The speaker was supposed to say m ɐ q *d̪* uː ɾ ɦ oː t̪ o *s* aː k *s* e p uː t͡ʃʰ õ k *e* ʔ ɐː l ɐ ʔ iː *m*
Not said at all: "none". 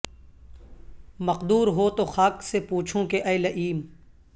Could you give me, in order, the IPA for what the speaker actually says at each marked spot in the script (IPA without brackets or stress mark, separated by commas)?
d̪, x, s, e, m